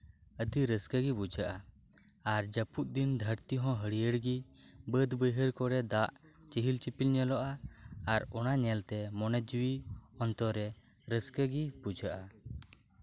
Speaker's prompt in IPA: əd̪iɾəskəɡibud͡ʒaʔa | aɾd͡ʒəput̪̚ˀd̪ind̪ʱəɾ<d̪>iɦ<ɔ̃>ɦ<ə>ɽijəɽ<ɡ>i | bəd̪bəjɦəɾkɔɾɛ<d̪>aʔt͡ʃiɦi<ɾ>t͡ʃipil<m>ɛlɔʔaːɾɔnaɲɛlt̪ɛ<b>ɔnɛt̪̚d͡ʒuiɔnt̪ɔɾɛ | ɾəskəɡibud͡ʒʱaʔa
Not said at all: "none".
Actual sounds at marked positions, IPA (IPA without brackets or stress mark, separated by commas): t̪, ɔ̃, ə, ɡ, d̪, l, ɲ, m